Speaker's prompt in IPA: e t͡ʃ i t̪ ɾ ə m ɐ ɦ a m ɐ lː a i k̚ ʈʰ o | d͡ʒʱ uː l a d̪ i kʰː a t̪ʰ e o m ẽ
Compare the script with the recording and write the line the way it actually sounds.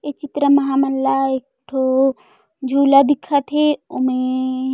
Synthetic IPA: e t͡ʃ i t̪ ɾ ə m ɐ ɦ a m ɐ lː a e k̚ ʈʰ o | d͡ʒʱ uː l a d̪ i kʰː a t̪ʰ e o m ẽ